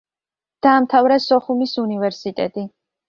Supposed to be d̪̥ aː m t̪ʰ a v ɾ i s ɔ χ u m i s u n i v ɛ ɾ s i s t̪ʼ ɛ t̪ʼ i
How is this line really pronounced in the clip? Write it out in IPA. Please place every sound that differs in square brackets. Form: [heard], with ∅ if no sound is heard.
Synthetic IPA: d̪̥ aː m t̪ʰ a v ɾ [a] s ɔ χ u m i s u n i v ɛ ɾ s i [∅] t̪ʼ ɛ t̪ʼ i